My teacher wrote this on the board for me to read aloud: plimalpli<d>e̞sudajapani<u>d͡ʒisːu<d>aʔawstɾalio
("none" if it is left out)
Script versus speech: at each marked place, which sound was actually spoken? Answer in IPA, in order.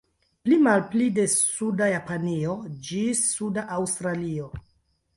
d, o, d

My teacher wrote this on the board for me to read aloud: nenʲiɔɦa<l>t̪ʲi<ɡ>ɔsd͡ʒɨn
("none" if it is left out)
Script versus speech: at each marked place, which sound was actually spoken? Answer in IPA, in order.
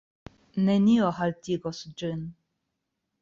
l, ɡ

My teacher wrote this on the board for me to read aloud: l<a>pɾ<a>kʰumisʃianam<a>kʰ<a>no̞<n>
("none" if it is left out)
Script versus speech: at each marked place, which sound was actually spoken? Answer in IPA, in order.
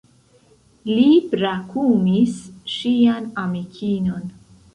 i, a, i, i, n

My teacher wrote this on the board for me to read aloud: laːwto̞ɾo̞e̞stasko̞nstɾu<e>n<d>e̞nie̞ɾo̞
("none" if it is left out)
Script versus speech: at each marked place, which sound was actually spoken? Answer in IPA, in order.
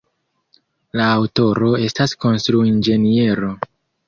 i, d͡ʒ

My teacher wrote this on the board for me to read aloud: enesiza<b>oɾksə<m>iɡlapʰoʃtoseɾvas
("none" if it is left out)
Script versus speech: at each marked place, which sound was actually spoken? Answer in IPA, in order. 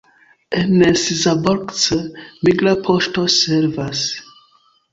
b, m

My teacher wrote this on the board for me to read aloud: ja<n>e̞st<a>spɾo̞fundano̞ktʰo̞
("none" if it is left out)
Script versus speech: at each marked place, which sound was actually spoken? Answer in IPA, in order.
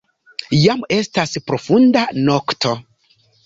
m, a

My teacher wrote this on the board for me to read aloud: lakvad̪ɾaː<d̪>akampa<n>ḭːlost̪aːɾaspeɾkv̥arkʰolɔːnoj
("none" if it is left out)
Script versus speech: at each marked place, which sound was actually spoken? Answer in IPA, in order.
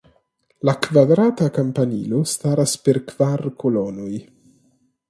t̪, n

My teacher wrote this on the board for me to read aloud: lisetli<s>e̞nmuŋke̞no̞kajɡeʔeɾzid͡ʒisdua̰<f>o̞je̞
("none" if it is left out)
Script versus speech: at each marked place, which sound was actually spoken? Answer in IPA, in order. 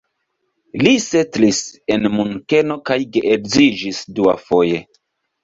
s, f

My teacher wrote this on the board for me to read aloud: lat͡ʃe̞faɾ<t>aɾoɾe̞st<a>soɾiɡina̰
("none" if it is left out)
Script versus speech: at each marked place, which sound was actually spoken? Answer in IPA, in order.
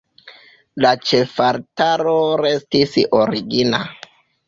t, i

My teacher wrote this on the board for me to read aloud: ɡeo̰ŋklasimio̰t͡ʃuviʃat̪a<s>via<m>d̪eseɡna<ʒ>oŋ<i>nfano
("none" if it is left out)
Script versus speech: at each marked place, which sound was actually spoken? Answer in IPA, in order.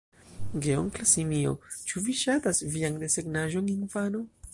s, ŋ, ʒ, i

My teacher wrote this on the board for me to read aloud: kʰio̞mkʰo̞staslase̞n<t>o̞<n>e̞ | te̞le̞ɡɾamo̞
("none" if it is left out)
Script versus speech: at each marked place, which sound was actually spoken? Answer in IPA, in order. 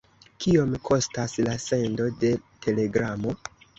d, d

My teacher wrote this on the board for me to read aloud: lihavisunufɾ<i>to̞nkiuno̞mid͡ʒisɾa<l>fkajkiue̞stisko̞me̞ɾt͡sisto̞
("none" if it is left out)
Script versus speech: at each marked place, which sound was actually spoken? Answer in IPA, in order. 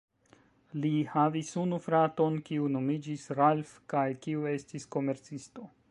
a, l

